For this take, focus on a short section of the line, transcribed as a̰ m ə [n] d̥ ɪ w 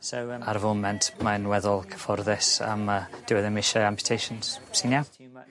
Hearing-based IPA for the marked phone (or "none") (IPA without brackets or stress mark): none